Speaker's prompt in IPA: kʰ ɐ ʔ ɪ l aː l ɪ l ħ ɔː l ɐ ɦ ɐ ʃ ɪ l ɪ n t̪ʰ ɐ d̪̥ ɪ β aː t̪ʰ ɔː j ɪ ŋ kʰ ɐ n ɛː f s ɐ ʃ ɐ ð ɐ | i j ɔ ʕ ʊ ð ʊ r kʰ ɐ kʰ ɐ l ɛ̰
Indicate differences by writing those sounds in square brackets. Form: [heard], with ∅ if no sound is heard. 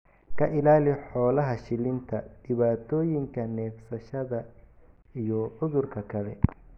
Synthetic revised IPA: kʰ ɐ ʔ ɪ l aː l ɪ [∅] ħ ɔː l ɐ ɦ ɐ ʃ ɪ l ɪ n t̪ʰ ɐ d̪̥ ɪ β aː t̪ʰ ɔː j ɪ ŋ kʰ ɐ n ɛː f s ɐ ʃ ɐ ð ɐ | i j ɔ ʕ ʊ ð ʊ r kʰ ɐ kʰ ɐ l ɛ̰